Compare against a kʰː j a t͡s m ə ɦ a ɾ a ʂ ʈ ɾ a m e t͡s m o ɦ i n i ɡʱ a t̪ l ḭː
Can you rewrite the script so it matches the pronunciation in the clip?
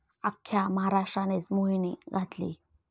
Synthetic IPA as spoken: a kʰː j a m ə ɦ a ɾ a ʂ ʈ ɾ a n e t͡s m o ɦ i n i ɡʱ a t̪ l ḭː